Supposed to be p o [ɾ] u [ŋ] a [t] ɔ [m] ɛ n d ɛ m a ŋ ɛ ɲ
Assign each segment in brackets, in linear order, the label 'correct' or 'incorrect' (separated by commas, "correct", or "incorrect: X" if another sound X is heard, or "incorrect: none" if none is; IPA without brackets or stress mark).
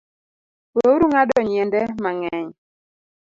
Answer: correct, correct, incorrect: d, incorrect: ɲ